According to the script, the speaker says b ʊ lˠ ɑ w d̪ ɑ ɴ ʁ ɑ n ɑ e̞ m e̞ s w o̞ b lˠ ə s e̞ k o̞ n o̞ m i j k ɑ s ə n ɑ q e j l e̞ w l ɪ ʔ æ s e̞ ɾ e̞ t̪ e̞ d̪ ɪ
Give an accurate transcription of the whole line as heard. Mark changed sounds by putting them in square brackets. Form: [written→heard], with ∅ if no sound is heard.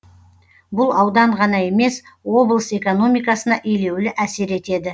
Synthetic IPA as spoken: b ʊ lˠ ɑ w d̪ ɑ ɴ ʁ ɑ n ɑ e̞ m e̞ s w o̞ b lˠ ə s e̞ k o̞ n o̞ m i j k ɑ s ə n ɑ [q→ʔ] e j l e̞ w l ɪ ʔ æ s e̞ ɾ e̞ t̪ e̞ d̪ ɪ